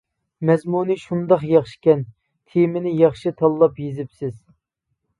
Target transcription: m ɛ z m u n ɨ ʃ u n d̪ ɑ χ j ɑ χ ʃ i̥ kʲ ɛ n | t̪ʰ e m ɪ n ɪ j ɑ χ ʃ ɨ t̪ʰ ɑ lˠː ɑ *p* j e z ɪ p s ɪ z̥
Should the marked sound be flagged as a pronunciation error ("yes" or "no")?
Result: no